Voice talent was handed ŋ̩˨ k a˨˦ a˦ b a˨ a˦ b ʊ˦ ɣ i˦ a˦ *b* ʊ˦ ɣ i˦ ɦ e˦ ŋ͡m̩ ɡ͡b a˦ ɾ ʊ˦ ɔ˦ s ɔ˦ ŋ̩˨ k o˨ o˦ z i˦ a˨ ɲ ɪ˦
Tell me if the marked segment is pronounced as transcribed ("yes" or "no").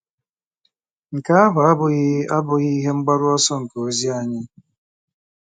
yes